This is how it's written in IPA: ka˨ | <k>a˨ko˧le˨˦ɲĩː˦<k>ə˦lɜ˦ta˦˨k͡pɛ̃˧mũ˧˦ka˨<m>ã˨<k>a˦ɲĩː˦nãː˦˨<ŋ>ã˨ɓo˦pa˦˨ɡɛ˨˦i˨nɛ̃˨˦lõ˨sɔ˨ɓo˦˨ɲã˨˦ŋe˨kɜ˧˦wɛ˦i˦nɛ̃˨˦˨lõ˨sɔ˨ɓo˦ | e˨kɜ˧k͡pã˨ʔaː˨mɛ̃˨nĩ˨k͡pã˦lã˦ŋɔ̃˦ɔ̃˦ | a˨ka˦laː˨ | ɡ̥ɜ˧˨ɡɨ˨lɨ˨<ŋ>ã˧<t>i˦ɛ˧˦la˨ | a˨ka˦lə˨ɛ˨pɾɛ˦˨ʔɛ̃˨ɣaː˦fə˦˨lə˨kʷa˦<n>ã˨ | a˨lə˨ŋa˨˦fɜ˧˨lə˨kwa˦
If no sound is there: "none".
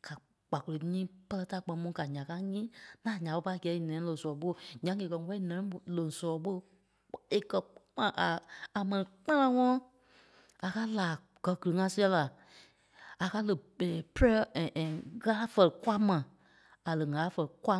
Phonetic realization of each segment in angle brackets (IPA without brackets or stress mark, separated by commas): k͡p, p, ɲ, k, ɲ, ŋ, s, m